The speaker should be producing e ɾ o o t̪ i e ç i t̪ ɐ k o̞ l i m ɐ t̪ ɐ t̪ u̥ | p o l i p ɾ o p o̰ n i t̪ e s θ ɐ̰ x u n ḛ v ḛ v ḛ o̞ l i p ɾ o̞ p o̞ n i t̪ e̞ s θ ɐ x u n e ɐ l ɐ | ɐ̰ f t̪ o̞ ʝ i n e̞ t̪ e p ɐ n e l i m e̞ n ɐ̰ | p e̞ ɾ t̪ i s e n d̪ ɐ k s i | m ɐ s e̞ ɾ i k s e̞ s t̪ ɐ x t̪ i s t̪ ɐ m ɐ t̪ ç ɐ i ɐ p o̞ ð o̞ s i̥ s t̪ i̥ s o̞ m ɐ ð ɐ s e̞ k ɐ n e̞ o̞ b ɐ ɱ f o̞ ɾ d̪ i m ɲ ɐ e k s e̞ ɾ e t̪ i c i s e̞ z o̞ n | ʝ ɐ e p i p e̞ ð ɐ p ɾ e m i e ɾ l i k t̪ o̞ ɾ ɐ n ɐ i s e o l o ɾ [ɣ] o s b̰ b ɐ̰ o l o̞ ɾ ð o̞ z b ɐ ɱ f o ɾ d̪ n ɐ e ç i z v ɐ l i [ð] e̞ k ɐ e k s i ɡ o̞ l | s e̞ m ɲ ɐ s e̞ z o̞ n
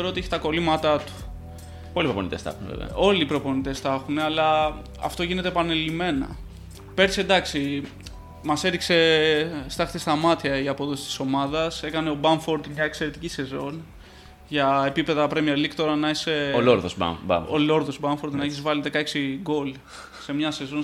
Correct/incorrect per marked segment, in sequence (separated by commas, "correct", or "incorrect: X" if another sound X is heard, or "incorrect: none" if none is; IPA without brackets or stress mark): incorrect: ð, correct